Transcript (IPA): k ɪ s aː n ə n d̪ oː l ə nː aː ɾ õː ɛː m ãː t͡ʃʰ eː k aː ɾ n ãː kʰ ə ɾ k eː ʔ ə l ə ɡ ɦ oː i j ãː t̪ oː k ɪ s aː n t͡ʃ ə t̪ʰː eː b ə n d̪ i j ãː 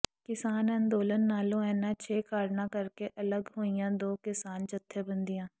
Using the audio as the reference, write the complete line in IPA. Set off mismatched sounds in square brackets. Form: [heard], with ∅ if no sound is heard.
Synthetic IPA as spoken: k ɪ s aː n ə n d̪ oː l ə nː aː [l] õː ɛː [n] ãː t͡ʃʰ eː k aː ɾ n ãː [k] ə ɾ k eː ʔ ə l ə ɡ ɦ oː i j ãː [d̪] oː k ɪ s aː n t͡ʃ ə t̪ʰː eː b ə n d̪ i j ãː